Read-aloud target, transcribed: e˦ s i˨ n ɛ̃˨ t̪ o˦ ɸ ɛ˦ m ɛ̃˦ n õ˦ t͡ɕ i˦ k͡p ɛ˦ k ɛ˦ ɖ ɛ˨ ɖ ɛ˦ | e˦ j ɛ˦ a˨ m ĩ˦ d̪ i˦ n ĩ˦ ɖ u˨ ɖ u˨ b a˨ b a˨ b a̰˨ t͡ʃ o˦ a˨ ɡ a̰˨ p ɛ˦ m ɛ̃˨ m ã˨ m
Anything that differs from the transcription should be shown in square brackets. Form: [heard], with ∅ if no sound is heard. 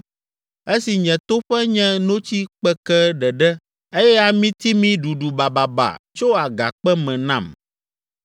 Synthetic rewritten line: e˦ s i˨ [ɲ] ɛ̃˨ t̪ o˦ ɸ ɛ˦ [ɲ] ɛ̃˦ n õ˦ t͡ɕ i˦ k͡p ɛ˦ k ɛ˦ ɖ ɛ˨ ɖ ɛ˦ | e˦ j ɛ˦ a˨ m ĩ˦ [t̪] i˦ [m] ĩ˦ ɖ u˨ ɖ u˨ b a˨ b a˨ b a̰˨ t͡ʃ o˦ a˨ ɡ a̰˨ [k͡p] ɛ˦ m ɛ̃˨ [n] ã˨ m